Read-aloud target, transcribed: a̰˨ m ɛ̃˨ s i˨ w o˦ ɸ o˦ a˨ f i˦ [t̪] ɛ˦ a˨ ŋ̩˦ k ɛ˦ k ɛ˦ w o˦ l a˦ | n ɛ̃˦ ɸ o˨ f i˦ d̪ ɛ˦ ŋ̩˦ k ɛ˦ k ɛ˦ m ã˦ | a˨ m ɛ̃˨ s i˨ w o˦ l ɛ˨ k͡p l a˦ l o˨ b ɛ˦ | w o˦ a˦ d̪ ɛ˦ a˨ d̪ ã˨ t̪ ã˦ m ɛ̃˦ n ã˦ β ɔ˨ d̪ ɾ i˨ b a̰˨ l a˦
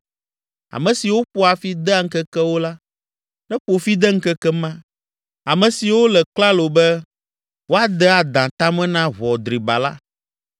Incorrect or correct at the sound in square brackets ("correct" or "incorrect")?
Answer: incorrect